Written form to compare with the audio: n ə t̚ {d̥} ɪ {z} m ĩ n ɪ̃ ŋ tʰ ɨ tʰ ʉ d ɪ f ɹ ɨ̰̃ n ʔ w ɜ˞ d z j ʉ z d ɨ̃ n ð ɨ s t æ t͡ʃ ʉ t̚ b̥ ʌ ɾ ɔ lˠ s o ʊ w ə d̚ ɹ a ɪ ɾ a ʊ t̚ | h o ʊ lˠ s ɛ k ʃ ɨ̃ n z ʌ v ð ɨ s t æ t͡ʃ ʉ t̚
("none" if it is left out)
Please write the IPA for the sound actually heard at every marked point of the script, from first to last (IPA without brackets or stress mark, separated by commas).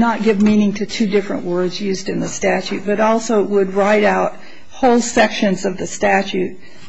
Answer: ɡ̥, v